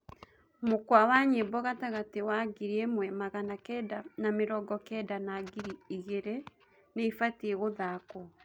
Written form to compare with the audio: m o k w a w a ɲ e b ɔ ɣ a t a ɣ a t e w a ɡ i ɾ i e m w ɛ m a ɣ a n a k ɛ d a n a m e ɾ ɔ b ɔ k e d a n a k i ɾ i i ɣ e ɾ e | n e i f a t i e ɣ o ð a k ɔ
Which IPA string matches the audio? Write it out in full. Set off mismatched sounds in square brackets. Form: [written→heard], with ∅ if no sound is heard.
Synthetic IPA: m o k w a w a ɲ e b ɔ ɣ a t a ɣ a t e w a ɡ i ɾ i e m w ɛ m a ɣ a n a k ɛ d a n a m e ɾ ɔ [b→ɡ] ɔ k [e→ɛ] d a n a [k→ɡ] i ɾ i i ɣ e ɾ e | n e i f a t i e ɣ o ð a k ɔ